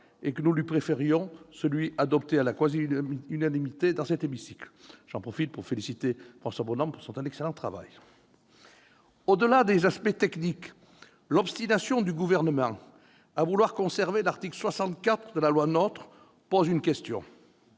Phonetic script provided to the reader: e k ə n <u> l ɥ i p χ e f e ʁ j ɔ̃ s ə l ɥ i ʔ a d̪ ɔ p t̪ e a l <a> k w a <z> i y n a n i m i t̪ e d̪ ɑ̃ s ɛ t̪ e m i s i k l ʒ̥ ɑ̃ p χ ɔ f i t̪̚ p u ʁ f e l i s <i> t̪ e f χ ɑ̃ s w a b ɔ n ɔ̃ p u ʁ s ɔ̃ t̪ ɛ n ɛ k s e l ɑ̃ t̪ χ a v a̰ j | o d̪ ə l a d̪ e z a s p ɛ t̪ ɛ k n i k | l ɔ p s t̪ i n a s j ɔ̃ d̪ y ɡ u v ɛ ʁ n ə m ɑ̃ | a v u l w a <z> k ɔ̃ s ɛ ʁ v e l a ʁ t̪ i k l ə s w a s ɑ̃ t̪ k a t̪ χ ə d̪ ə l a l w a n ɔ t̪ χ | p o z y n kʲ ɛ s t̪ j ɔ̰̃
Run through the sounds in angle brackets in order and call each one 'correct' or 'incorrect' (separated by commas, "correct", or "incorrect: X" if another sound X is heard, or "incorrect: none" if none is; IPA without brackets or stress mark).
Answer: correct, correct, correct, correct, incorrect: ʁ